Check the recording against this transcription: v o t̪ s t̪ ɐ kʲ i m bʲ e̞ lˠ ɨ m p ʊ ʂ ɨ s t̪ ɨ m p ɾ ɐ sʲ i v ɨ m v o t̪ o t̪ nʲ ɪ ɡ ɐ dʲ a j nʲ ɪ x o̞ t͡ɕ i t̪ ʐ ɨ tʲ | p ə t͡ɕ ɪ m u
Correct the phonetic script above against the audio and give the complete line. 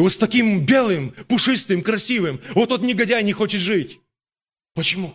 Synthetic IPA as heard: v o t̪ s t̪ ɐ kʲ i m bʲ e̞ lˠ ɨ m p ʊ ʂ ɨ s t̪ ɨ m k ɾ ɐ sʲ i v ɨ m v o t̪ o t̪ nʲ ɪ ɡ ɐ dʲ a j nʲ ɪ x o̞ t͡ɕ ɪ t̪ ʐ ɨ tʲ | p ə t͡ɕ ɪ m u